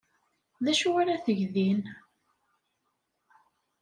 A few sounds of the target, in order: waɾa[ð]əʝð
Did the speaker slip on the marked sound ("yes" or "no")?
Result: yes